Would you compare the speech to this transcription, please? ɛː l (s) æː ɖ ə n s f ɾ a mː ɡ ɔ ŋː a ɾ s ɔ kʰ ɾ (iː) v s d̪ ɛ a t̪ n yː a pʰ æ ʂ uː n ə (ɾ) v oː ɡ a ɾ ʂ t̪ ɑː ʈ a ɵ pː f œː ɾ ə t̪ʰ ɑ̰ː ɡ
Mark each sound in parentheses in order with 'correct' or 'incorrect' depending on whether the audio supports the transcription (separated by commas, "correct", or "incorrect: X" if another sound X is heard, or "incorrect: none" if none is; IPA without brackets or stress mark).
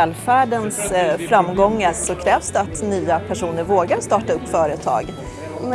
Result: incorrect: f, incorrect: ɛː, correct